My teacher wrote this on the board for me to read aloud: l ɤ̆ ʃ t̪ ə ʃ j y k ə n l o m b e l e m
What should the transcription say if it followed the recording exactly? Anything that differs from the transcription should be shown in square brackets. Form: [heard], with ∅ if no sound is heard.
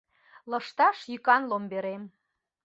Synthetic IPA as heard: l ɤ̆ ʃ t̪ [ɑ] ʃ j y k [ɑ] n l o m b e [ɾ] e m